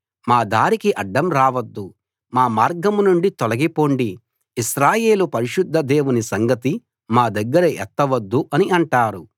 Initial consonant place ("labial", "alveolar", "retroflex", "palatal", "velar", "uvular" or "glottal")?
labial